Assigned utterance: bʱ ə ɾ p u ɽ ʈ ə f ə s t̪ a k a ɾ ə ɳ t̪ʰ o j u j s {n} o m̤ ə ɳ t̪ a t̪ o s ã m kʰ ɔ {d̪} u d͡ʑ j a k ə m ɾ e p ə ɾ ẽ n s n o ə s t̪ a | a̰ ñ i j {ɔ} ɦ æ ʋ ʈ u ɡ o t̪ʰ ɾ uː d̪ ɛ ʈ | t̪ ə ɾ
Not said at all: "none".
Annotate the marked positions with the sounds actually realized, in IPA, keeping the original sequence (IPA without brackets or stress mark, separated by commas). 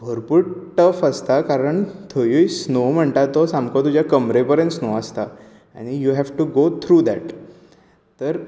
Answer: n, t̪, u